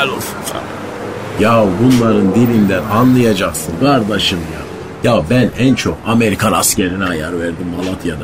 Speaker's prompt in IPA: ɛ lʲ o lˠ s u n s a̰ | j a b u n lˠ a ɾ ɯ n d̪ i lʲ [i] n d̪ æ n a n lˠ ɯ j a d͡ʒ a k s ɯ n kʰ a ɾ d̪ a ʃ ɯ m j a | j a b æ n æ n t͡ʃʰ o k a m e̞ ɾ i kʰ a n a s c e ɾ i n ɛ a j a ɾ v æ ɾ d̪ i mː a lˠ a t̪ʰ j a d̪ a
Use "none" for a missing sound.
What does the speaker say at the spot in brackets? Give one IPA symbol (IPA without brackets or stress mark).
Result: i